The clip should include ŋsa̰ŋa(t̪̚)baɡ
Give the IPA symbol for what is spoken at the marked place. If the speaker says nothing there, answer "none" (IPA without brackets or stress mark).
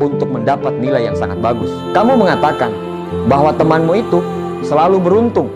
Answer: t̪̚